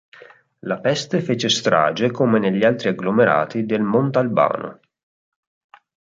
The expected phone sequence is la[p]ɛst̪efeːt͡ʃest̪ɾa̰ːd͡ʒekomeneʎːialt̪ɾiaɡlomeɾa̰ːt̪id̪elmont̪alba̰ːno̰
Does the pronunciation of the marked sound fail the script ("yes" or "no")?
no